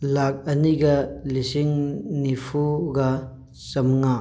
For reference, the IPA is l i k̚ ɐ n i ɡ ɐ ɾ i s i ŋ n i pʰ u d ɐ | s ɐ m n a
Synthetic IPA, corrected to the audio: l a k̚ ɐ n i ɡ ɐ l i s i ŋ n i pʰ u ɡ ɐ | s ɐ m ŋ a